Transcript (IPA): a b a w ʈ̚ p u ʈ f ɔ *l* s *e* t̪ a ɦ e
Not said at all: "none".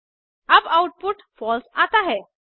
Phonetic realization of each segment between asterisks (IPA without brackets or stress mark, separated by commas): l, a